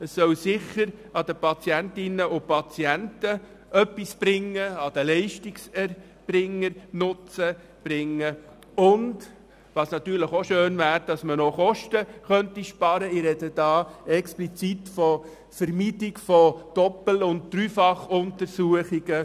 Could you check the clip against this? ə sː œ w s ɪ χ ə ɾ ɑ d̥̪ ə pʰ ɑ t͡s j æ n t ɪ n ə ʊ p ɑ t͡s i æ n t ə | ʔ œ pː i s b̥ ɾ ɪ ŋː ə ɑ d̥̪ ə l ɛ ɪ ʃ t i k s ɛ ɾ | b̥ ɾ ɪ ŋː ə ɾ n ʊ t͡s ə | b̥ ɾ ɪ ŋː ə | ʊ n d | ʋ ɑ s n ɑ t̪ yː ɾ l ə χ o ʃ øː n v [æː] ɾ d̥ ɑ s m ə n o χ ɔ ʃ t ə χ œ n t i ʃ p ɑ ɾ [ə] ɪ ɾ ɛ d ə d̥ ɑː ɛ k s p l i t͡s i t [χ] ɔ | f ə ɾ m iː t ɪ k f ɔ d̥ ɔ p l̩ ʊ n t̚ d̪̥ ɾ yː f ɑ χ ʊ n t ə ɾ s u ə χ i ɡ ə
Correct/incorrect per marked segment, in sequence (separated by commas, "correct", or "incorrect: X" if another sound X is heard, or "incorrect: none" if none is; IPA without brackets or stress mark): correct, correct, incorrect: f